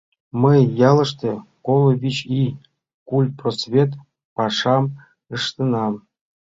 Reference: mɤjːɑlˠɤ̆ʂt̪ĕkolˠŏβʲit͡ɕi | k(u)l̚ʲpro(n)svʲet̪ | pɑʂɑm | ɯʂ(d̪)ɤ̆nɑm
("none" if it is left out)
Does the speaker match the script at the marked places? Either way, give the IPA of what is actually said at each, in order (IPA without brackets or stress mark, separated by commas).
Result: u, none, t̪